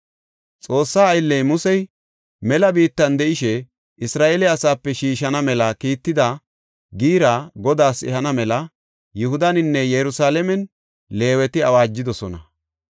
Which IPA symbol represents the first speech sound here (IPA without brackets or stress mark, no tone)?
t͡sʼ